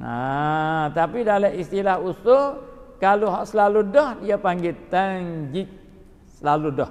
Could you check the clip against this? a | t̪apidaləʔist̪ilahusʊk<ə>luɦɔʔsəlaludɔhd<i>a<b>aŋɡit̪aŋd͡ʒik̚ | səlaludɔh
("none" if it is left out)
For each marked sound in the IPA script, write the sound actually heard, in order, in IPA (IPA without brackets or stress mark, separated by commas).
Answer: a, i, p